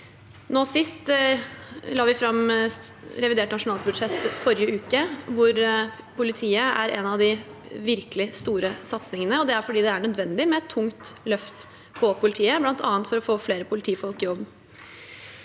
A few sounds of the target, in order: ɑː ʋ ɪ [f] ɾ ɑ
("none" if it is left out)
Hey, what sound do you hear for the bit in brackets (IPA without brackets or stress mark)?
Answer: f